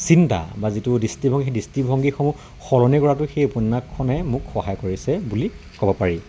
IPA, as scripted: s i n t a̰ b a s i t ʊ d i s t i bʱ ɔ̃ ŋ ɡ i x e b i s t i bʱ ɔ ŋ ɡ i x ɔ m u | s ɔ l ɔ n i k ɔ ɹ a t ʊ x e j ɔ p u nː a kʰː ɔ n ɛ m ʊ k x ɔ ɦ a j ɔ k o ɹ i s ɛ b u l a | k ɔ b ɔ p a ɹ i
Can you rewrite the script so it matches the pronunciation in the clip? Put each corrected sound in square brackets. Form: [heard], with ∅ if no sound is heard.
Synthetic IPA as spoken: s i n t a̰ b a [z] i t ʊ d i s t i bʱ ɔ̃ ŋ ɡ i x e [d] i s t i bʱ ɔ ŋ ɡ i x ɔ m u | [x] ɔ l ɔ n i k ɔ ɹ a t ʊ x e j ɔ p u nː a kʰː ɔ n ɛ m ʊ k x ɔ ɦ a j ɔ k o ɹ i s ɛ b u l [i] | k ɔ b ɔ p a ɹ i